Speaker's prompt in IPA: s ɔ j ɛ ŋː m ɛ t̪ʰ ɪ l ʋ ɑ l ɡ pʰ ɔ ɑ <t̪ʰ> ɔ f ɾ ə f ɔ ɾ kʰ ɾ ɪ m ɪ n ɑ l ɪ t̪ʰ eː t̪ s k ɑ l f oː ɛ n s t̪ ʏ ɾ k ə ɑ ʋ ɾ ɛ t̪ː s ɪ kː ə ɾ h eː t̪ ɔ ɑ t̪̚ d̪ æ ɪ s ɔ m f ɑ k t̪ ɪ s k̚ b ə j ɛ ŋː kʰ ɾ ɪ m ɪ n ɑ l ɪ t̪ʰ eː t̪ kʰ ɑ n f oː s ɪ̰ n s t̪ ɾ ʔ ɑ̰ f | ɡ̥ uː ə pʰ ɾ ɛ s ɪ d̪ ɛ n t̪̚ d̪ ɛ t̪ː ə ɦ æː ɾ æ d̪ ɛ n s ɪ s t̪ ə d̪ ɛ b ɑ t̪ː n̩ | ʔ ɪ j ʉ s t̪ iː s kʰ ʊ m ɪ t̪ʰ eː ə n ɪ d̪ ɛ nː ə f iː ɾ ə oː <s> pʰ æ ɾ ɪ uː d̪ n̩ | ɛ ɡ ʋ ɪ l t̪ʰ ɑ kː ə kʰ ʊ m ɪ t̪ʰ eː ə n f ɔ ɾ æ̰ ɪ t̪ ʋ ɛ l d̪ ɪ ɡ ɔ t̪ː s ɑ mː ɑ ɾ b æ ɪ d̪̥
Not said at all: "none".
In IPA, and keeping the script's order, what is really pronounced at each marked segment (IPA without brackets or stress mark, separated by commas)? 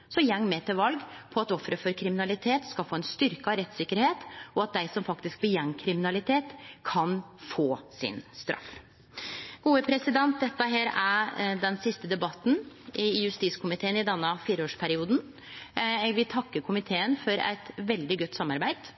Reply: t̪, ʂ